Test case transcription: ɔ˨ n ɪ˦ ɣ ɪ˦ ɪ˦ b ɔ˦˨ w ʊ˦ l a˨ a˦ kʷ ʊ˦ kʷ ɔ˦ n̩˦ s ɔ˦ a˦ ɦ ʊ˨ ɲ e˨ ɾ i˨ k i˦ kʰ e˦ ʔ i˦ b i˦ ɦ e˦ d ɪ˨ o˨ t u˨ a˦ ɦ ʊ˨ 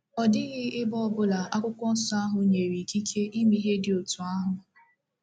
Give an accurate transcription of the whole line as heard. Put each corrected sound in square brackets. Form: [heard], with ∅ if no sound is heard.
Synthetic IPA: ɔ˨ [d] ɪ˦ ɣ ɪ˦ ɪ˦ b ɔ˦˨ [b] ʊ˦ l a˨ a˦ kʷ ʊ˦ kʷ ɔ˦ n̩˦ s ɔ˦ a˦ ɦ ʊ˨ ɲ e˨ ɾ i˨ k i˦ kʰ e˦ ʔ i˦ [m] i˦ ɦ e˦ d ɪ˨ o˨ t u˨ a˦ ɦ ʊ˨